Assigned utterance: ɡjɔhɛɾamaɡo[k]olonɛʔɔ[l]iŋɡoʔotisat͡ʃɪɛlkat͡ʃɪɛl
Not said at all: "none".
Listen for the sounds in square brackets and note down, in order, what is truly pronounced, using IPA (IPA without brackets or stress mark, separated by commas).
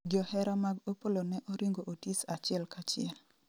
p, ɾ